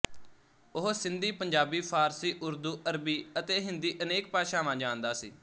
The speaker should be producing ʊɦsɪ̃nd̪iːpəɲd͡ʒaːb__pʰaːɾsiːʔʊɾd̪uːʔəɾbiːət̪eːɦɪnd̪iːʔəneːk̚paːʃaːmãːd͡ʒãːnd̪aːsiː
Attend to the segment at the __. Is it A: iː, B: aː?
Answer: A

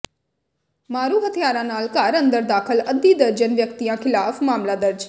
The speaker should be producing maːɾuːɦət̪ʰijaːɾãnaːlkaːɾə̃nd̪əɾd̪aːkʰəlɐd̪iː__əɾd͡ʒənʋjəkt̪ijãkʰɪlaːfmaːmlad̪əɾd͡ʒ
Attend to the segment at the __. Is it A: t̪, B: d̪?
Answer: B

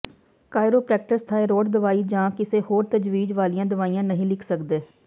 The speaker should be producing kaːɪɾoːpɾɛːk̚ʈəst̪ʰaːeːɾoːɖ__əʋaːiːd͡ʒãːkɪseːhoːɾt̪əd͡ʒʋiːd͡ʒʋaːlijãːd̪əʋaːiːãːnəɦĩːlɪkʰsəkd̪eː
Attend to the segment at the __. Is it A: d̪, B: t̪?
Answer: A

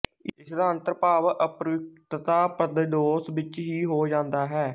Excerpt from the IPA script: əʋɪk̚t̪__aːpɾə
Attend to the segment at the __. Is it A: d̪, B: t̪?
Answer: B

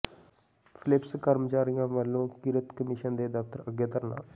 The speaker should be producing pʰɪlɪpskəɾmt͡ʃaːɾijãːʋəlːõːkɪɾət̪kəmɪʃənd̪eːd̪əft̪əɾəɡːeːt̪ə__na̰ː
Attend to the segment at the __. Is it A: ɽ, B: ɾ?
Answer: B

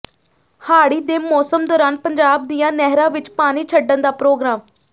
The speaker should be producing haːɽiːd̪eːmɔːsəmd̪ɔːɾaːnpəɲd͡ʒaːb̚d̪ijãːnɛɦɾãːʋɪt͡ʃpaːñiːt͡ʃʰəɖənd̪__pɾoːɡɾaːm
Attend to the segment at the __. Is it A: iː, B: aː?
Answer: B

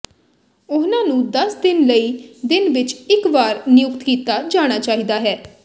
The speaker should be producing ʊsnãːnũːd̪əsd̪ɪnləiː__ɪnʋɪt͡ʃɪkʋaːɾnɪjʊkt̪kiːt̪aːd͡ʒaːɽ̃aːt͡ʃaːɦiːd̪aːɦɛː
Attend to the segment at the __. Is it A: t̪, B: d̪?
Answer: B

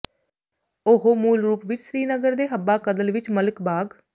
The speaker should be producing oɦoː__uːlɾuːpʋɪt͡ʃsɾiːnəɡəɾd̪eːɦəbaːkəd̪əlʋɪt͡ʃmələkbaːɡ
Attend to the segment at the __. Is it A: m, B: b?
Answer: A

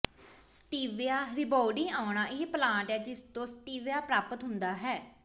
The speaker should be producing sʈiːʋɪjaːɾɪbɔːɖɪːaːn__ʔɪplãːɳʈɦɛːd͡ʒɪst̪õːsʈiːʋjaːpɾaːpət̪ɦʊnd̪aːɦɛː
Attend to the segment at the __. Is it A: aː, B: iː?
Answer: A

